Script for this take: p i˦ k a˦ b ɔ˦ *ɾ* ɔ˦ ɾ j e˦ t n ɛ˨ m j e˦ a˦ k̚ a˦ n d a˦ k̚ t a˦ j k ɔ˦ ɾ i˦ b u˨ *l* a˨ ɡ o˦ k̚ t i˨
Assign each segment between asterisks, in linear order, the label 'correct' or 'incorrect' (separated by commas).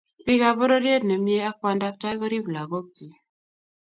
correct, correct